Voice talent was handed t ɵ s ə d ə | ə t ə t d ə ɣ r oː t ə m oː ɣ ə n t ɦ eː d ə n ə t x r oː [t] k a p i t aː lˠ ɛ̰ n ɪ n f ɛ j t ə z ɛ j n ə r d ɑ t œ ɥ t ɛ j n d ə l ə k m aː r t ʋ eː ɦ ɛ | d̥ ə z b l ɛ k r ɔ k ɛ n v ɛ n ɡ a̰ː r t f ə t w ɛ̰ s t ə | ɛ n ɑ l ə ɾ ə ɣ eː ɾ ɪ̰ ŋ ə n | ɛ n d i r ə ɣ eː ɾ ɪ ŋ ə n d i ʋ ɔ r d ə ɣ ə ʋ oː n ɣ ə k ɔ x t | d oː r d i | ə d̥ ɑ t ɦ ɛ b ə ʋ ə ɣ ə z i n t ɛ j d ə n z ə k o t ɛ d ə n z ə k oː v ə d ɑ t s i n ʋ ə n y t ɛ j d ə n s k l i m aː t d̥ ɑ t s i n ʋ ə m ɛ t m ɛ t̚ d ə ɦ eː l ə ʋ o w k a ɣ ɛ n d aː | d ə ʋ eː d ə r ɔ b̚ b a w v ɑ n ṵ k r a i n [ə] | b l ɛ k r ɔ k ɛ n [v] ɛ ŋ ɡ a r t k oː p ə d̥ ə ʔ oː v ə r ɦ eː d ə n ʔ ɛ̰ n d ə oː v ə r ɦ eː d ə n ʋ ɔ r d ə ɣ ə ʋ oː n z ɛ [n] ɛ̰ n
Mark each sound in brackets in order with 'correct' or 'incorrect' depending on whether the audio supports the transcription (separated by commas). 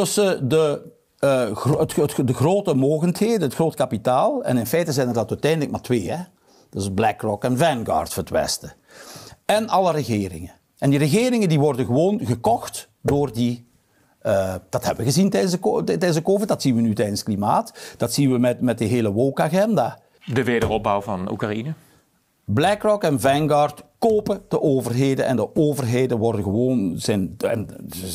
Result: correct, correct, correct, correct